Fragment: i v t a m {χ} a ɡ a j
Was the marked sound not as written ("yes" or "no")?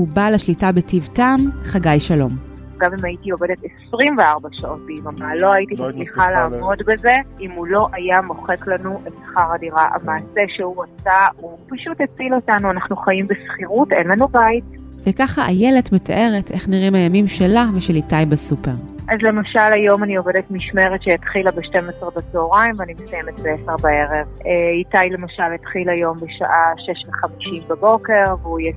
no